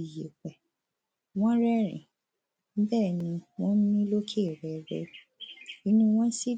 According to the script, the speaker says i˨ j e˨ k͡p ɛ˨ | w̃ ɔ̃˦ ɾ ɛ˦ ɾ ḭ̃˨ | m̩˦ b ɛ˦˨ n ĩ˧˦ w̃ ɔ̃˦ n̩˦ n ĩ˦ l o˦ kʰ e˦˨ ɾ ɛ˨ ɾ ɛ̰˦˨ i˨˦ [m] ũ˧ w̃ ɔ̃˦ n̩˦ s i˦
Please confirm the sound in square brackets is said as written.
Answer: no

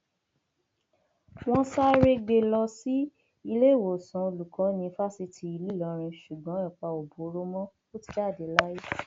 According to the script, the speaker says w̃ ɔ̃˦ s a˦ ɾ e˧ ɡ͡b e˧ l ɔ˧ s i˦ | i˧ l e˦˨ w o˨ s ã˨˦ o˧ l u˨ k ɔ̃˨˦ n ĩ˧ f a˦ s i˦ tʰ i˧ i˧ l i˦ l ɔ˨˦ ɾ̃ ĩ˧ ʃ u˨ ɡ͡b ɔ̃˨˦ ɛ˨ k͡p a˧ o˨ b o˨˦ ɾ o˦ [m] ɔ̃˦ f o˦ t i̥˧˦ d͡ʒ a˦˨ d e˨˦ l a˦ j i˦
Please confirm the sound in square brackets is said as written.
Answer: yes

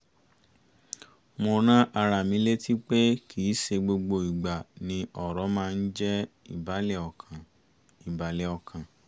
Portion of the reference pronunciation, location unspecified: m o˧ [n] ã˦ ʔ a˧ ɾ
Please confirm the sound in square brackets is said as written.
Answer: yes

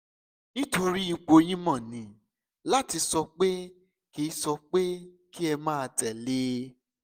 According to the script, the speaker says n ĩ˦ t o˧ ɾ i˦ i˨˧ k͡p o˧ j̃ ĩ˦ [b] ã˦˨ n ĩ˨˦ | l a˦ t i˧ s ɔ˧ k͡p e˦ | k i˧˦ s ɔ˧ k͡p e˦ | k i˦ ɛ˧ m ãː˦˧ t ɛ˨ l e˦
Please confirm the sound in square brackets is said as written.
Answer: no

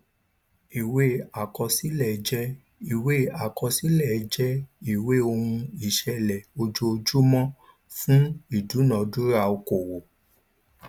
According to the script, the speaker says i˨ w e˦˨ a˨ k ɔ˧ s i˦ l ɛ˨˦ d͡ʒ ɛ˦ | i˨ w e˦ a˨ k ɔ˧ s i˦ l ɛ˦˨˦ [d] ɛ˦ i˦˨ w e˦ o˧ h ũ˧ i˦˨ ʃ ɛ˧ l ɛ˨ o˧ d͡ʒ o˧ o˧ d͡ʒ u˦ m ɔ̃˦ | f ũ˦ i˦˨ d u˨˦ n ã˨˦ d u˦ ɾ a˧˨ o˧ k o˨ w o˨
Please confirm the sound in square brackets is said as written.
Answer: no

